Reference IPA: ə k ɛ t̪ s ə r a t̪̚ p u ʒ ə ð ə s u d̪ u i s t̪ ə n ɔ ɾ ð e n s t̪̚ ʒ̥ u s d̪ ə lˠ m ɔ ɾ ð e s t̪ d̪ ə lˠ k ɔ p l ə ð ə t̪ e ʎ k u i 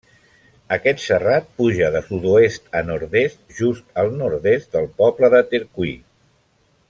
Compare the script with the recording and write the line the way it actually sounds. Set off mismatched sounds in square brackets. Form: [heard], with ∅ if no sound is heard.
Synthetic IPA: ə k ɛ t̪ s ə r a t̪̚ p u ʒ ə ð ə s u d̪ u [e] s t̪ ə n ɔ ɾ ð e [∅] s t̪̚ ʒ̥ u s [t̪] ə lˠ [n] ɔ ɾ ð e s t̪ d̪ ə lˠ [p] ɔ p l ə ð ə t̪ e [ɾ] k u i